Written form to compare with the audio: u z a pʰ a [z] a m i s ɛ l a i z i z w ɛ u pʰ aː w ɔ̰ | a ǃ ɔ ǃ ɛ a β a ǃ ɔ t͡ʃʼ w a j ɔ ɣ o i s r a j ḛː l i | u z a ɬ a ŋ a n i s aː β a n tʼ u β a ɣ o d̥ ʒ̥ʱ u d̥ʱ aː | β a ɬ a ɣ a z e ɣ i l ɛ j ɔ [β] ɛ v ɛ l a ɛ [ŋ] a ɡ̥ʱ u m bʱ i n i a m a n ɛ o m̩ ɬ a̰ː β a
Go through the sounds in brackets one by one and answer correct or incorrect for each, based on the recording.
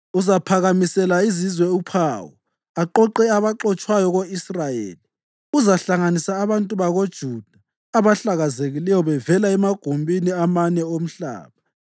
incorrect: ɣ, correct, incorrect: m

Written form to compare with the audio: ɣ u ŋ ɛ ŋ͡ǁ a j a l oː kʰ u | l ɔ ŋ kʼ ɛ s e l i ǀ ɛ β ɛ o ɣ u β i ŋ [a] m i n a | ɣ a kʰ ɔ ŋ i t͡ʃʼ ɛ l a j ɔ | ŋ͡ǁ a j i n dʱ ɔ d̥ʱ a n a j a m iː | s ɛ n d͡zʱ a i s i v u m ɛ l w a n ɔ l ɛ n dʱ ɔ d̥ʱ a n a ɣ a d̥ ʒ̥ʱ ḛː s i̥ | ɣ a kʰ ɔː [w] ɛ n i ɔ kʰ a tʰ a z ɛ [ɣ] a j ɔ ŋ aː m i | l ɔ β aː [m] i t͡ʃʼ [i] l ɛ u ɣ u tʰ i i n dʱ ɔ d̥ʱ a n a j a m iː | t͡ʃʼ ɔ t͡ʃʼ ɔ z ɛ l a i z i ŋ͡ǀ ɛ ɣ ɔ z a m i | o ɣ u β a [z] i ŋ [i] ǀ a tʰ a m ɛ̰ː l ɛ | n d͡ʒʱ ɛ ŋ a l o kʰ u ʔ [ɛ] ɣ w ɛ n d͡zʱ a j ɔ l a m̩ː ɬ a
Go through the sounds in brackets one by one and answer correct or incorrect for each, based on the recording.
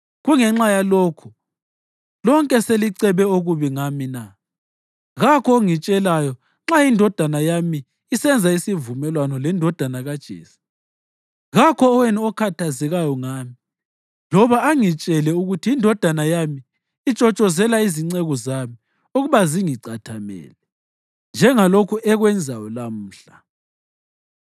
correct, correct, correct, incorrect: ŋ, incorrect: ɛ, correct, correct, correct

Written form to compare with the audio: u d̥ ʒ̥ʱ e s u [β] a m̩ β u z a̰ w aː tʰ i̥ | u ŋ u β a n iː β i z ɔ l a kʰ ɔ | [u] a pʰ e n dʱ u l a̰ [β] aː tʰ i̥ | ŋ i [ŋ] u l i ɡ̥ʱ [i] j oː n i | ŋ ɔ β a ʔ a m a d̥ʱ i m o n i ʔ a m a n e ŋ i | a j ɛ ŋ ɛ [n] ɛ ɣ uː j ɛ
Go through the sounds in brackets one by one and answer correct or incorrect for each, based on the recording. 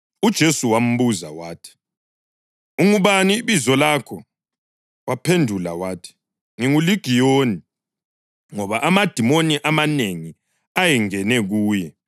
incorrect: w, incorrect: w, incorrect: w, correct, correct, correct

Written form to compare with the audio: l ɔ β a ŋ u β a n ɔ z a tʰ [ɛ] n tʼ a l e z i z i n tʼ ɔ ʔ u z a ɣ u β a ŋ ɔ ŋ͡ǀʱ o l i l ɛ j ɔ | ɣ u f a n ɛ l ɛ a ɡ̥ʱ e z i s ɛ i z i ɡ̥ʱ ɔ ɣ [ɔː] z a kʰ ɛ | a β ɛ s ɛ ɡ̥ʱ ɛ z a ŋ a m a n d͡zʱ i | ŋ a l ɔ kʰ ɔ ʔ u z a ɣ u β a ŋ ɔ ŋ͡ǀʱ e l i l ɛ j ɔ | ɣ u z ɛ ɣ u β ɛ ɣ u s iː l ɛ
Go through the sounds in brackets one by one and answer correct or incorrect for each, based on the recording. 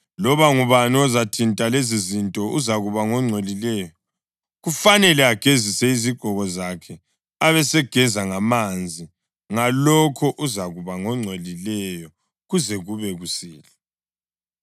incorrect: i, incorrect: ɔ

